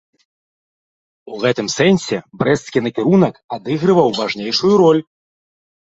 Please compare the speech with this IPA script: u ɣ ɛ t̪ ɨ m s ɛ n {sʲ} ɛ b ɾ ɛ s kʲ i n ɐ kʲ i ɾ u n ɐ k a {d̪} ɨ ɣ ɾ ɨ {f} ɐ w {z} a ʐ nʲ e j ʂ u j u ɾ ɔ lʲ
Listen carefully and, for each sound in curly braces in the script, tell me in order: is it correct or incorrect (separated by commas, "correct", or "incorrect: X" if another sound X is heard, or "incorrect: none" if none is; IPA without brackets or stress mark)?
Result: correct, correct, incorrect: v, incorrect: v